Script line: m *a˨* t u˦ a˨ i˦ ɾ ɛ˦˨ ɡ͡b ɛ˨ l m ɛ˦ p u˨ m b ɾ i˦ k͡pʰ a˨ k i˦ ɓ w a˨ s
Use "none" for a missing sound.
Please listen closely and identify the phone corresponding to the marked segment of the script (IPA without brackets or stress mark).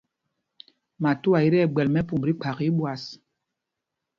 a˨